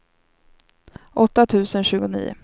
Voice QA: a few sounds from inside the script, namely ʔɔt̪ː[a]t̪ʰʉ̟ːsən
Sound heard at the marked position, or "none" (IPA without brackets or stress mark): a